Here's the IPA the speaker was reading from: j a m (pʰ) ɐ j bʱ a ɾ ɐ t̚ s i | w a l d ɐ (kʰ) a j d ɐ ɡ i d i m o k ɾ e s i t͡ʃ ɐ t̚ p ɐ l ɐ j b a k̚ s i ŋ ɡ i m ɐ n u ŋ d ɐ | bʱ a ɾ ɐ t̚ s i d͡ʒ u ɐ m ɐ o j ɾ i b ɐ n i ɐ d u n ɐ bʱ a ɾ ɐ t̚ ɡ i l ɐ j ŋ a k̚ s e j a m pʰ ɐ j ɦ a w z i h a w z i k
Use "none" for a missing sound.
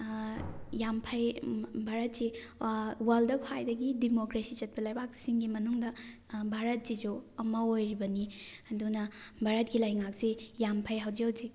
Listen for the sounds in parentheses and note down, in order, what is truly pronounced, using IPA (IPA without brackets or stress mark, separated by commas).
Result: pʰ, kʰ